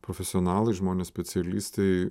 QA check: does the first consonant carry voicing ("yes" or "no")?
no